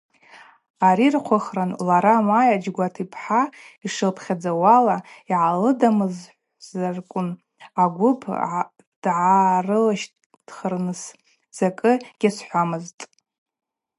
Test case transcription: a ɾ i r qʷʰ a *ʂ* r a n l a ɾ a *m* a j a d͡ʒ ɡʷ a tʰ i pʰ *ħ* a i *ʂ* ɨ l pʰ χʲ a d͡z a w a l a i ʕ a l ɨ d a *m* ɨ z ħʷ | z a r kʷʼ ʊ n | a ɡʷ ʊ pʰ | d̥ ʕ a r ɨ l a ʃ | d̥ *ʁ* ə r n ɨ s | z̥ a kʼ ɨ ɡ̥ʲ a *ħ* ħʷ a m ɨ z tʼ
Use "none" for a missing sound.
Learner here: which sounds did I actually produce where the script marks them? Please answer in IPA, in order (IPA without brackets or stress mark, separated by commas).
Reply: χ, m, ħ, ʂ, m, χ, s